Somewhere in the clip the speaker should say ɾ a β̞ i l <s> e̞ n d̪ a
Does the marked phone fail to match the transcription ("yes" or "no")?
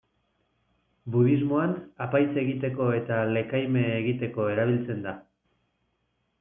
yes